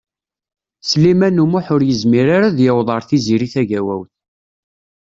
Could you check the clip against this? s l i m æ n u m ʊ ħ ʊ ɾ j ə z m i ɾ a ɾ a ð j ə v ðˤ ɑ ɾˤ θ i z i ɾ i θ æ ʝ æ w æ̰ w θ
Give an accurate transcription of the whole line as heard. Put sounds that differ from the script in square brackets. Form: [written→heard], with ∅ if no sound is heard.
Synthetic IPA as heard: s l i m æ n u m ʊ ħ ʊ ɾ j ə z m i ɾ a ɾ a ð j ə [v→w] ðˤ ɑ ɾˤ θ i z i ɾ i θ æ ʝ æ w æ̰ w θ